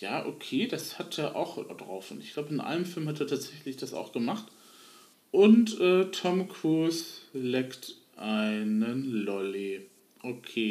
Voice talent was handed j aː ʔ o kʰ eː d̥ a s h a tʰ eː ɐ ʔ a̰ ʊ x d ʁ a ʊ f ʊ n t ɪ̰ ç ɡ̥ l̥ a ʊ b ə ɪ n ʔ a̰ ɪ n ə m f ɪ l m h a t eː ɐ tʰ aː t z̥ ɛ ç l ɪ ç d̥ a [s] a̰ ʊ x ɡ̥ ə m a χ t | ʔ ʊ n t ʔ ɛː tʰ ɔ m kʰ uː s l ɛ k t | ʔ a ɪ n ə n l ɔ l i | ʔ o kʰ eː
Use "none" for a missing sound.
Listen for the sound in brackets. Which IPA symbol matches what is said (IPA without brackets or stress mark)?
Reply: s